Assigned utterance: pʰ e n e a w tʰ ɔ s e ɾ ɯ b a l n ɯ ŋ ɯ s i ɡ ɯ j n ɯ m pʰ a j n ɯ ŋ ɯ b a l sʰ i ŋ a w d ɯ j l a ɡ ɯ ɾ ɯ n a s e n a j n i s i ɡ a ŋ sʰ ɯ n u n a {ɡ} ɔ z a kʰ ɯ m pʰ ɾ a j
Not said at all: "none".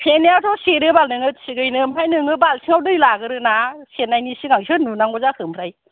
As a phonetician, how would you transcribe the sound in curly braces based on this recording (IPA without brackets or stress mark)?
ŋ